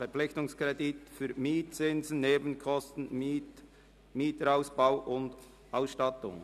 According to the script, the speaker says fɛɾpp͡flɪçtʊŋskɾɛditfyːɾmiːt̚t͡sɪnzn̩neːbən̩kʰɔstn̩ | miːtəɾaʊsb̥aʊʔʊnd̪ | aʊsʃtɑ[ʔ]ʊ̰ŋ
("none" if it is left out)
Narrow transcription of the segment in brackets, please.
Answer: t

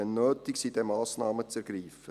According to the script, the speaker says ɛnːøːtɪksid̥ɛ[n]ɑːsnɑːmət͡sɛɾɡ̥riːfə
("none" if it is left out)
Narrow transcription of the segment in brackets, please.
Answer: m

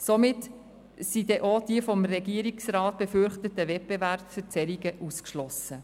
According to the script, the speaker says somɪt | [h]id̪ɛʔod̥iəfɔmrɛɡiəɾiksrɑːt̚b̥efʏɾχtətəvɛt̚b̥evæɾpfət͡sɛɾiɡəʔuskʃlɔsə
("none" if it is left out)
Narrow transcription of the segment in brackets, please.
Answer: s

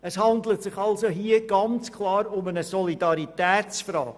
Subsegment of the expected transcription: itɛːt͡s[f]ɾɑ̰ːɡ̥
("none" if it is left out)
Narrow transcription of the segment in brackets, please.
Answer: f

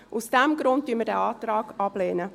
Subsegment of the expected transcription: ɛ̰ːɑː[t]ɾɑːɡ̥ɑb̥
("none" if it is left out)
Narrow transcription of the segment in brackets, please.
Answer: t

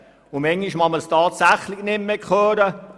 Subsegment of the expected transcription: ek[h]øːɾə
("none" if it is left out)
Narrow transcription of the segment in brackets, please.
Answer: χ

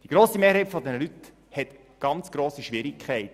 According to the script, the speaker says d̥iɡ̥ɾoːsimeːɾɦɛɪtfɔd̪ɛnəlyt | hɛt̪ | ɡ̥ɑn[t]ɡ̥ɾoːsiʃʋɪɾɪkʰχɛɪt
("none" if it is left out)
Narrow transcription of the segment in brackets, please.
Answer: t͡s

